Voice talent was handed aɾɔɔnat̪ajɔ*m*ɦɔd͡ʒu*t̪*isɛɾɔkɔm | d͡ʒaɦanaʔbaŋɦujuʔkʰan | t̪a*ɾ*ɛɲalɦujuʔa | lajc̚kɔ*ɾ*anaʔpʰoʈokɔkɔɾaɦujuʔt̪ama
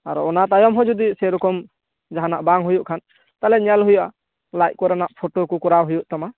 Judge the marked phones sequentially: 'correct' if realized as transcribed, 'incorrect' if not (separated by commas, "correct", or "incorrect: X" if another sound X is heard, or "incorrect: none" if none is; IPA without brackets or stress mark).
correct, incorrect: d̪, incorrect: l, correct